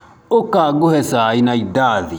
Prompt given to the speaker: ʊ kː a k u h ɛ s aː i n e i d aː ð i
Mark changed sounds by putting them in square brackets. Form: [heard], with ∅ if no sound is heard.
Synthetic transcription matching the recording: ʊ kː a [ɡ] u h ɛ s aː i n [a] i d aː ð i

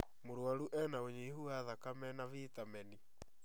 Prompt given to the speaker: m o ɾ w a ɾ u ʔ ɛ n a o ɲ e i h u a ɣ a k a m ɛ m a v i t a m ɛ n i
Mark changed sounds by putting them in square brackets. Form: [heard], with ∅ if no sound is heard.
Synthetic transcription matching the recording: m o ɾ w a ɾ u ʔ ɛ n a o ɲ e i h u a [ð] a k a m ɛ [n] a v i t a m ɛ n i

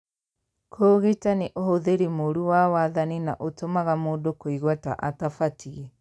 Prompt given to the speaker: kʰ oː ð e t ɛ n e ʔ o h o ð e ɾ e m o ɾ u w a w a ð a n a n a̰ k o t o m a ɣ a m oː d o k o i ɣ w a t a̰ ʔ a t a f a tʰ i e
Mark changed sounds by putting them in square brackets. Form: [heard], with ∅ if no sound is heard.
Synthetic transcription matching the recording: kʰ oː [ɣ] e t [a] n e ʔ o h o ð e ɾ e m o ɾ u w a w a ð a n [i] n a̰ [ʔ] o t o m a ɣ a m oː d o k o i ɣ w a t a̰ ʔ a t a f a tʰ i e

